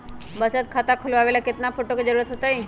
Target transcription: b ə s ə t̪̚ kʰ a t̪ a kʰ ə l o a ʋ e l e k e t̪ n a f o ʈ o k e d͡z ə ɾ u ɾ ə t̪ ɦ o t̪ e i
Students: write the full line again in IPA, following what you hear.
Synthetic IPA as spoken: b ə s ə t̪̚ kʰ a t̪ a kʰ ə l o a ʋ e l a k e t̪ n a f o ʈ o k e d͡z ə ɾ u ɾ ə t̪ ɦ o t̪ a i